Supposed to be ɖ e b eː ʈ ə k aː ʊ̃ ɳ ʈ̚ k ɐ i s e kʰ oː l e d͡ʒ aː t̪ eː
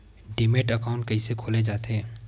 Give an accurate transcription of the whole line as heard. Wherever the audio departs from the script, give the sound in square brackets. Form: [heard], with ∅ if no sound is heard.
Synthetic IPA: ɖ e [m] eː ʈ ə k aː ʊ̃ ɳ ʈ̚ k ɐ i s e kʰ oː l e d͡ʒ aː t̪ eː